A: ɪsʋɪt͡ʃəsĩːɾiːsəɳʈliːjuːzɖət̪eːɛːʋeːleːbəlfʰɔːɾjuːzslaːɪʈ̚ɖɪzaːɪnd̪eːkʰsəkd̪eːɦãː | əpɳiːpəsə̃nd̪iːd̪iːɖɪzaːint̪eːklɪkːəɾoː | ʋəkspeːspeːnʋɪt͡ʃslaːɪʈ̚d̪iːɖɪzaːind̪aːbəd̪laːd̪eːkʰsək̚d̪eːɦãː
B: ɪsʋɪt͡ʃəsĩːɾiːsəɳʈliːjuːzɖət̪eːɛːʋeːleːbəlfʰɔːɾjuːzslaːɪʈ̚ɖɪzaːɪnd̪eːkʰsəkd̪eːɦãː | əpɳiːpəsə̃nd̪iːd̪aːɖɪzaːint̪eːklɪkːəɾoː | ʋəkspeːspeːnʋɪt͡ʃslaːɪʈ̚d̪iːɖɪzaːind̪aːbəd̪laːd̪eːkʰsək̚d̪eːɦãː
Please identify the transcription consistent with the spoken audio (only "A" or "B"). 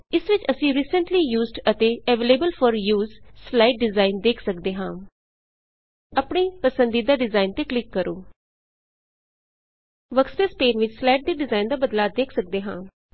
B